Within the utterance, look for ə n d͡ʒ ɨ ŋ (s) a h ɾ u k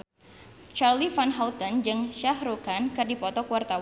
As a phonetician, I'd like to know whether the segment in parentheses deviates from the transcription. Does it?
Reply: yes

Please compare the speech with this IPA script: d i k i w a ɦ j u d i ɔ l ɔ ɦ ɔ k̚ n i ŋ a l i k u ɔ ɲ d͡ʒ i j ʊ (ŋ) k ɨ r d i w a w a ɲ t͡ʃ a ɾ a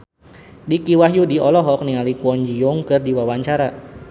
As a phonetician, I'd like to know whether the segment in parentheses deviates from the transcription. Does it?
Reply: no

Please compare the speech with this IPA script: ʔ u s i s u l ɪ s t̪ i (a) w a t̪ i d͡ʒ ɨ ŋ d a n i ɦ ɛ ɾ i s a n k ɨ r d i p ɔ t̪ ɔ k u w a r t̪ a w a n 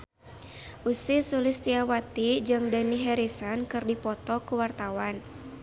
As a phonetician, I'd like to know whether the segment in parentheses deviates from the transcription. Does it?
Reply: no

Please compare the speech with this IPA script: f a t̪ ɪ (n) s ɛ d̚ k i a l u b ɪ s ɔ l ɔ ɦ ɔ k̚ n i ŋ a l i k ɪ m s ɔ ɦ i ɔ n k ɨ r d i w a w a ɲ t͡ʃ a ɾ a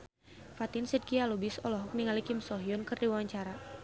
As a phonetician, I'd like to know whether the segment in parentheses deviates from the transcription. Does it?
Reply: no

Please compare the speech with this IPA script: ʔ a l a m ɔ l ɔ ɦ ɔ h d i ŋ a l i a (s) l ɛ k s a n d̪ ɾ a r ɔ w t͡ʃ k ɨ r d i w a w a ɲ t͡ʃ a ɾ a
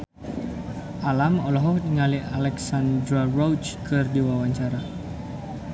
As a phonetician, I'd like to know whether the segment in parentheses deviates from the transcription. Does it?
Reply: yes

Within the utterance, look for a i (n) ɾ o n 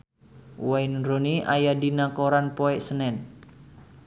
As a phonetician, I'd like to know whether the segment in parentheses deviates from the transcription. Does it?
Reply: no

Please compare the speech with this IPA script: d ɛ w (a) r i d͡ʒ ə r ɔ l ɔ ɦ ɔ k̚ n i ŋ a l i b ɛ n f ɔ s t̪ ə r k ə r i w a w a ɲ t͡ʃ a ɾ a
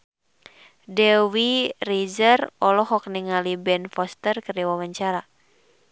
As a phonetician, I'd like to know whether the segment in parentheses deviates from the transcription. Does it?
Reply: yes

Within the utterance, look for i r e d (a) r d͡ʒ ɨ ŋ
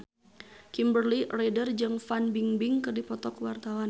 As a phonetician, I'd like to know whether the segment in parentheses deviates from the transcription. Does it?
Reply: yes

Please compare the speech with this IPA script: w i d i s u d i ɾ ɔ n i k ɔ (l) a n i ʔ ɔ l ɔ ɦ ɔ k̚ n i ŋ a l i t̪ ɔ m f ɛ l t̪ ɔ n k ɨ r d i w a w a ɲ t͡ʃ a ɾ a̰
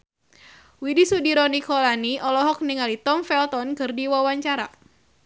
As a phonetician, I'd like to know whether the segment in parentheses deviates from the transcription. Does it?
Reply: no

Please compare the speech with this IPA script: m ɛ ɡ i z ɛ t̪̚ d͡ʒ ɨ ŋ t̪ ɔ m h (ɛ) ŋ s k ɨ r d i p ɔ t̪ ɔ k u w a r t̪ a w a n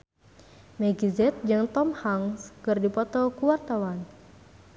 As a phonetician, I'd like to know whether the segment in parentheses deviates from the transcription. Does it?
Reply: yes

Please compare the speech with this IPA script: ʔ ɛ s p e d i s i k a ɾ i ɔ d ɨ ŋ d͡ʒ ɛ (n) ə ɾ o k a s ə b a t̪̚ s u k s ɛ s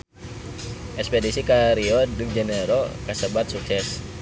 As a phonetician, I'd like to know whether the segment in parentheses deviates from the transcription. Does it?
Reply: no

